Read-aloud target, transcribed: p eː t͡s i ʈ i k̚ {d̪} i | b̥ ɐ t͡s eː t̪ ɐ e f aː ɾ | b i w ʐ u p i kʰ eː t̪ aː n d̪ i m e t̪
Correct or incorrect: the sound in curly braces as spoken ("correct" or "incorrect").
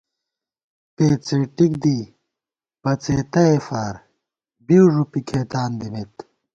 correct